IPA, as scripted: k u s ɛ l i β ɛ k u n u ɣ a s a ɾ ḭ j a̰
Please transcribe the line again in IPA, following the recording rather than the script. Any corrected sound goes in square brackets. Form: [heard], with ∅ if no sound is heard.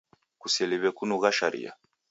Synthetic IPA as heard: k u s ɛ l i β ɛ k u n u ɣ a [ʃ] a ɾ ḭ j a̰